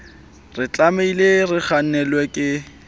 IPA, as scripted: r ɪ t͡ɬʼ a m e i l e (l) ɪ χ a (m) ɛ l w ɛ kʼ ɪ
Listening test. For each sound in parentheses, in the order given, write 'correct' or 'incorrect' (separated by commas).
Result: incorrect, incorrect